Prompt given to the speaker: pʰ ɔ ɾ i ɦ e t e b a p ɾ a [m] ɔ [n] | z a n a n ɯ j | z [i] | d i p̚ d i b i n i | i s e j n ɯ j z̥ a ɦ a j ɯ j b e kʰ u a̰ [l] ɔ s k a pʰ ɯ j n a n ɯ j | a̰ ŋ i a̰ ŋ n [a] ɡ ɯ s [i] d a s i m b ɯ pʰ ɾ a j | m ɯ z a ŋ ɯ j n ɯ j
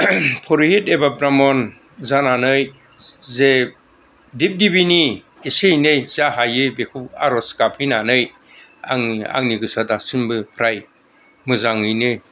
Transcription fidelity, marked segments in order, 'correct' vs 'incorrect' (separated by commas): correct, correct, incorrect, incorrect, incorrect, incorrect